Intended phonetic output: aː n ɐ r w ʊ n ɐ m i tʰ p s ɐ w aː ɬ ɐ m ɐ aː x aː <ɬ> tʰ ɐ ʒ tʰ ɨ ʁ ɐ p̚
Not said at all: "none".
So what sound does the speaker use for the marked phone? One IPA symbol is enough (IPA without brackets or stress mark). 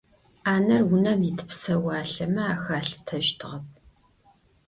ɬ